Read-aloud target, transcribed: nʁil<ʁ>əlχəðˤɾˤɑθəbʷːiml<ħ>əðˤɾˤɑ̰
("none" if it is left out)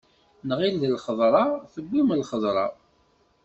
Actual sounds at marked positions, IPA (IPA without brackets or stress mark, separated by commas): ð, χ